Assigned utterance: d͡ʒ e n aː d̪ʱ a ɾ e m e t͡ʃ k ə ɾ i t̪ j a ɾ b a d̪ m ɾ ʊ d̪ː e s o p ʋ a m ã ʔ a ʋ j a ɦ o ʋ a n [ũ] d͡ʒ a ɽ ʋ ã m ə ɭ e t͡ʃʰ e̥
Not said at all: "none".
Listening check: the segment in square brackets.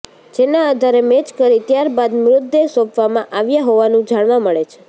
ũ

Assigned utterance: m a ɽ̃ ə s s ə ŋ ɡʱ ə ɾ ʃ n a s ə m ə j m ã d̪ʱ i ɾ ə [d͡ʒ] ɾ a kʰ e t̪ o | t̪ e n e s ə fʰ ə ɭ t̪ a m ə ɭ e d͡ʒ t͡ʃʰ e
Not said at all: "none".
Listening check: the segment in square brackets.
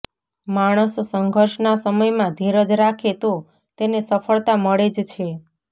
d͡ʒ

